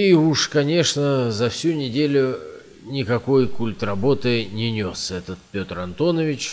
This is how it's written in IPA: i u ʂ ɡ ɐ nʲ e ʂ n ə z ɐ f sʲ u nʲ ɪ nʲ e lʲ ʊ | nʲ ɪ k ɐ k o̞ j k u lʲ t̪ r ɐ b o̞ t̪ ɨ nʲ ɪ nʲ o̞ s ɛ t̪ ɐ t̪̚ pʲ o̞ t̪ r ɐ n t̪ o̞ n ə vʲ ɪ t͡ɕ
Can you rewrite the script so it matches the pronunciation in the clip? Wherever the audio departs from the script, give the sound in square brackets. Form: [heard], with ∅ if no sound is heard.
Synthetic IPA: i u ʂ [k] ɐ nʲ e ʂ n ə z ɐ f sʲ u nʲ ɪ [dʲ] e lʲ ʊ | nʲ ɪ k ɐ k o̞ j k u lʲ t̪ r ɐ b o̞ t̪ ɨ nʲ ɪ nʲ o̞ s ɛ t̪ [ə] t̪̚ pʲ o̞ t̪ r ɐ n t̪ o̞ n ə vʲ ɪ t͡ɕ